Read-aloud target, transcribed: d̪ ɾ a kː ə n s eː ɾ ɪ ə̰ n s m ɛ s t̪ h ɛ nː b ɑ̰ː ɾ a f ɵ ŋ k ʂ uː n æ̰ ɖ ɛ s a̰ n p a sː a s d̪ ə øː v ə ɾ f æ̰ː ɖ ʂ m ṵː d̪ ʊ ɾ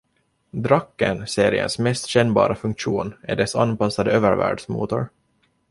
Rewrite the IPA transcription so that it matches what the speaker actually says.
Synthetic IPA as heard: d̪ ɾ a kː ə n s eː ɾ ɪ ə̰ n s m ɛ s t̪ ɕ ɛ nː b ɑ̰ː ɾ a f ɵ ŋ k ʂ uː n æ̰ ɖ ɛ s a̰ n p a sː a d̪ ə øː v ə ɾ v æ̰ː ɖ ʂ m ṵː t̪ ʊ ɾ